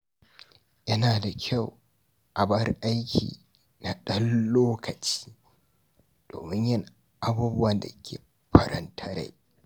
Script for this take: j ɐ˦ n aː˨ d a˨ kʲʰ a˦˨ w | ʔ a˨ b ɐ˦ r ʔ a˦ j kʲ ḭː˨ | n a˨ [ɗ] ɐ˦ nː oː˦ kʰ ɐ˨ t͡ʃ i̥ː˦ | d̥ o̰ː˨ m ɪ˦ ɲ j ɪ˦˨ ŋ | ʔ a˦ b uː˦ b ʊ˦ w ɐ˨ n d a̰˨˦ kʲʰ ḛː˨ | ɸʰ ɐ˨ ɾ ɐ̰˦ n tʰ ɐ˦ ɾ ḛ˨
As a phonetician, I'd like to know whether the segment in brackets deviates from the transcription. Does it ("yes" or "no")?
no